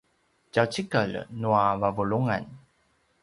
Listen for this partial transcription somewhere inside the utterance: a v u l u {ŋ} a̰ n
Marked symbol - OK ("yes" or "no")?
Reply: yes